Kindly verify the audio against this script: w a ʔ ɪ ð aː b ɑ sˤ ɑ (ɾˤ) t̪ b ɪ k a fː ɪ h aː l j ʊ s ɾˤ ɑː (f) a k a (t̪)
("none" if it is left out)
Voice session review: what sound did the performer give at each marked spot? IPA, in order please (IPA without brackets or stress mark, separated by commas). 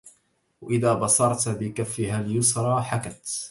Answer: ɾˤ, ħ, t̪